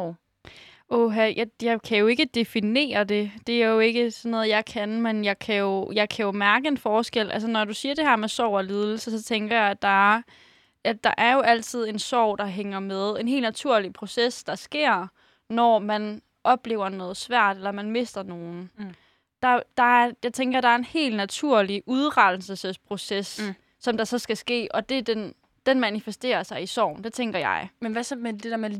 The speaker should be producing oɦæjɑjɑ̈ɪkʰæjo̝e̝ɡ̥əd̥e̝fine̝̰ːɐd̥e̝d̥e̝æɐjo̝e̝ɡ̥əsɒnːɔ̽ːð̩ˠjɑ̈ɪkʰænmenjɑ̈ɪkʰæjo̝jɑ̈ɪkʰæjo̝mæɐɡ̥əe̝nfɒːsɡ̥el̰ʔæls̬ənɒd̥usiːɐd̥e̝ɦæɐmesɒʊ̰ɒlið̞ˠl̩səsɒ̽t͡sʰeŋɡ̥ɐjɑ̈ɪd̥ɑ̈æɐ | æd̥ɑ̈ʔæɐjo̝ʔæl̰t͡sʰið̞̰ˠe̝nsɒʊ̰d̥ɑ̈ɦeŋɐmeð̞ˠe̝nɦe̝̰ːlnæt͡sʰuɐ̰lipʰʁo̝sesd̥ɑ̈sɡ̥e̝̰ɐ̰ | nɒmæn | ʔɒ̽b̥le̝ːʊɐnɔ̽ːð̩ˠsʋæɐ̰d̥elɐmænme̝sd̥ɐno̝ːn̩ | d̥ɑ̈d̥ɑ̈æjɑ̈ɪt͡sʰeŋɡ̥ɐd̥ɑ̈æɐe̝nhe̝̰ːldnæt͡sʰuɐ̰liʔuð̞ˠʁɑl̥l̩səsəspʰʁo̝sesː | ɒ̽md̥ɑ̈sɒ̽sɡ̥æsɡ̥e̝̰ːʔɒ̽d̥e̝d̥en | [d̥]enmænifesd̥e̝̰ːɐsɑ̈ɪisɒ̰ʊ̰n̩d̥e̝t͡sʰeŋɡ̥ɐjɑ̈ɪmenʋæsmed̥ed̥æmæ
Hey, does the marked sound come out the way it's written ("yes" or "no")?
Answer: yes